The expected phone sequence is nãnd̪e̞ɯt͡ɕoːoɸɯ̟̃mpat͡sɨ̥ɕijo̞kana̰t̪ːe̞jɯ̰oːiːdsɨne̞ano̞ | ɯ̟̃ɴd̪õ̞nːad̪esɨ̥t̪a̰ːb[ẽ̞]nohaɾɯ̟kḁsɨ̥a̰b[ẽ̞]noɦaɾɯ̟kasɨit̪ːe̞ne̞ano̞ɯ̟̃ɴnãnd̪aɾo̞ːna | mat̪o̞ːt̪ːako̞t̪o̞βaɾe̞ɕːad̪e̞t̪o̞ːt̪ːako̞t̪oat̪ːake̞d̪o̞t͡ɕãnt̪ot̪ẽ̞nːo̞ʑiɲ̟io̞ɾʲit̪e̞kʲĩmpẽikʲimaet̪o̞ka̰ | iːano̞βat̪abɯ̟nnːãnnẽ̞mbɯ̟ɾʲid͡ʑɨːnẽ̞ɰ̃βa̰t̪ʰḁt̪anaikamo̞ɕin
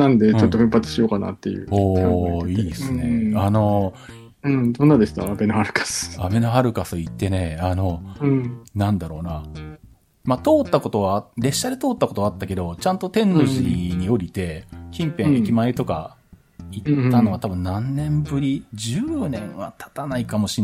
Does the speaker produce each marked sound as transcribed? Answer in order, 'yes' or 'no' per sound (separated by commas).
no, no